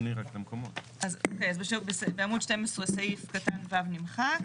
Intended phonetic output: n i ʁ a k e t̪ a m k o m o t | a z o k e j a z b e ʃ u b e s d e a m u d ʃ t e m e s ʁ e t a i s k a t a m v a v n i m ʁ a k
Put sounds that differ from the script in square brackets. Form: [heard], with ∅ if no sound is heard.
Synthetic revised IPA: n i ʁ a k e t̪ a m k o m o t | a z o k e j a z b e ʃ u b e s [b] e a m u d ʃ t e m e s ʁ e [s] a i [f] k a t a [n] v a v n i m [χ] a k